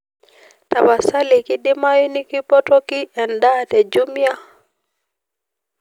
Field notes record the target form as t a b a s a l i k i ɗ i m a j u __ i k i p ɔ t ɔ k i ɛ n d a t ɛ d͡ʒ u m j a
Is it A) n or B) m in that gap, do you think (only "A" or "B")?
A